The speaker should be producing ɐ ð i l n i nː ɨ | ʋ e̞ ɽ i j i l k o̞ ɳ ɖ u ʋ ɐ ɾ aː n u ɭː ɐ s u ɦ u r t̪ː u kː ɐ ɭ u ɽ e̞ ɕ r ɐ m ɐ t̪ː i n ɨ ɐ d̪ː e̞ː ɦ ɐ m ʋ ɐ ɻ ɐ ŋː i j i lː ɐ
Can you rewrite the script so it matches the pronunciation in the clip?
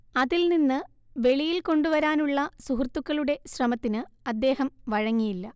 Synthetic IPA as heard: ɐ ð i l n i nː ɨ | ʋ e̞ ɭ i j i l k o̞ ɳ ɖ u ʋ ɐ ɾ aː n u ɭː ɐ s u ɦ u r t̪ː u kː ɐ ɭ u ɽ e̞ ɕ r ɐ m ɐ t̪ː i n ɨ ɐ d̪ː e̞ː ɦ ɐ m ʋ ɐ ɻ ɐ ŋː i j i lː ɐ